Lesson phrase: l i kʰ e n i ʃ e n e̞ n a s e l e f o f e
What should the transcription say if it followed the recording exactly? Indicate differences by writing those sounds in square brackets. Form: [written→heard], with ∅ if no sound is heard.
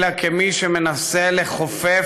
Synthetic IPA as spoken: l [i→a] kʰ e [n→m] i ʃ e [n→m] e̞ n a s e l e [f→χ] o f e